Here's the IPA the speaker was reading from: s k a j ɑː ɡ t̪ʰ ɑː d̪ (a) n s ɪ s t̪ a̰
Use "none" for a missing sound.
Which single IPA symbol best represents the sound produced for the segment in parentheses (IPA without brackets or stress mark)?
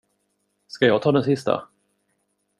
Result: ɛ